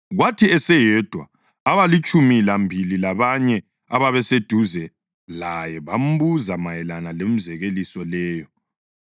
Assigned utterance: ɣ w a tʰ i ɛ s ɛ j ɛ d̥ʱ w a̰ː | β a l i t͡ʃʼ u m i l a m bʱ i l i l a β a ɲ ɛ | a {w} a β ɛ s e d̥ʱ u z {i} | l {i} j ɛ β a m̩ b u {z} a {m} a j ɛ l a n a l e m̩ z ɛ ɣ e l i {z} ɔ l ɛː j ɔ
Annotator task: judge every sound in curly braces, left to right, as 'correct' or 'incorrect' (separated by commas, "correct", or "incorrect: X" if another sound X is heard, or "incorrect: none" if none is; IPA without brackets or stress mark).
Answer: incorrect: β, incorrect: ɛ, incorrect: a, correct, correct, incorrect: s